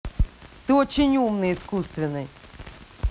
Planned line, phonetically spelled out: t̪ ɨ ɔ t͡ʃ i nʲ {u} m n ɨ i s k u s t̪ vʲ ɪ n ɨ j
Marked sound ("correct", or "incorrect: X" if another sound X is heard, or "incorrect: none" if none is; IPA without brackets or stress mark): correct